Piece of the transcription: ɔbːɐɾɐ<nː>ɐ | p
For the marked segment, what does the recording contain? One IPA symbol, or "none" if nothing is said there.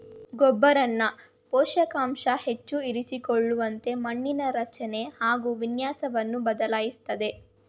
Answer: nː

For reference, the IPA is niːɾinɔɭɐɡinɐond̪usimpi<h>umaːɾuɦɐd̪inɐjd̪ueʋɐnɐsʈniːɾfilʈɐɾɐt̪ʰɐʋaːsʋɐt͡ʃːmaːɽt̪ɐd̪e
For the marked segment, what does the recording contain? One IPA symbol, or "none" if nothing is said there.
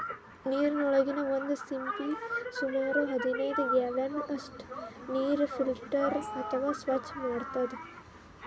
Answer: s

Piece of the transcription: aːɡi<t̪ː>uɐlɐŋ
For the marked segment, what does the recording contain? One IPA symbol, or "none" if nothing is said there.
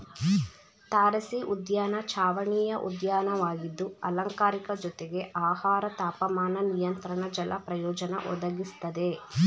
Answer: d̪ː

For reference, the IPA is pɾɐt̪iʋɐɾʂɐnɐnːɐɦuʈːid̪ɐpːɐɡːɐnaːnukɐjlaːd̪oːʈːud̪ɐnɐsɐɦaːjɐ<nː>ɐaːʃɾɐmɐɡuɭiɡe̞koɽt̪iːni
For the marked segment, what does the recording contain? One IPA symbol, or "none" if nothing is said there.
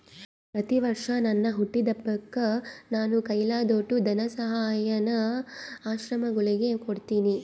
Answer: n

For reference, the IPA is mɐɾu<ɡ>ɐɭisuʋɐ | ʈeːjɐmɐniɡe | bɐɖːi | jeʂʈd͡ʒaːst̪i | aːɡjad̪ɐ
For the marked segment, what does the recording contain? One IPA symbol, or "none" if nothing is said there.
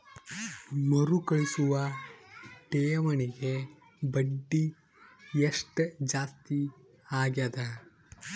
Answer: k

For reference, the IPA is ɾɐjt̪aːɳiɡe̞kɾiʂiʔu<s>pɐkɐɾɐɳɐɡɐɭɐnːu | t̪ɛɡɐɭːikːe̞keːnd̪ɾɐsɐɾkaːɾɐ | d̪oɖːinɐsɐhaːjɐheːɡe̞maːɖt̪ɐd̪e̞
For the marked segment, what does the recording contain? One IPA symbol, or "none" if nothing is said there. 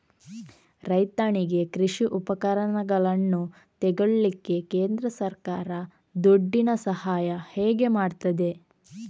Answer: none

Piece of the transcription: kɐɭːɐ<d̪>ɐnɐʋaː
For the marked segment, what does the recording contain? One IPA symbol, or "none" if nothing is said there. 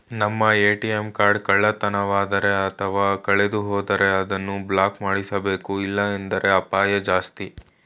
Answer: t̪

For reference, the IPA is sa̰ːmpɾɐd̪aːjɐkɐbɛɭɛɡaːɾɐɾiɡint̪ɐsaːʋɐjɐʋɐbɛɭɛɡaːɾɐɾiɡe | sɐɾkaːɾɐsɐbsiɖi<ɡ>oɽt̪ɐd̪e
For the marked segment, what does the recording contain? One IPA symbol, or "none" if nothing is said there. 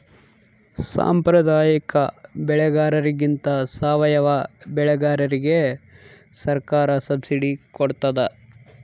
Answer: k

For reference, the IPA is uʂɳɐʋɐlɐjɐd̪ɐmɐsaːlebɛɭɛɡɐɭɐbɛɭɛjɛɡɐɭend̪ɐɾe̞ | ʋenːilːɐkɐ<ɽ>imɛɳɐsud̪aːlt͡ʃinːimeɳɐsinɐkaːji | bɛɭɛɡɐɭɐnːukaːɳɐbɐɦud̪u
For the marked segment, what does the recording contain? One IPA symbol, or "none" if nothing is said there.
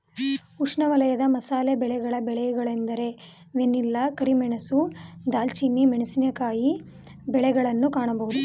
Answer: ɾ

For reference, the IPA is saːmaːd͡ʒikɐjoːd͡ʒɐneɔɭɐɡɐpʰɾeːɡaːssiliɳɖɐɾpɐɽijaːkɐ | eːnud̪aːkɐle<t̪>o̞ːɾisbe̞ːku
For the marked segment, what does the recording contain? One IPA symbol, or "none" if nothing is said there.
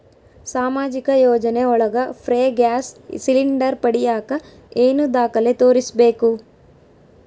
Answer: t̪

